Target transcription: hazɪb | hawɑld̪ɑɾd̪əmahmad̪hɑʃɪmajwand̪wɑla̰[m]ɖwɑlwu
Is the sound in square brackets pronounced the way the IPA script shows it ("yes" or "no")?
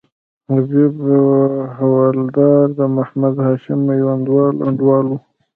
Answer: no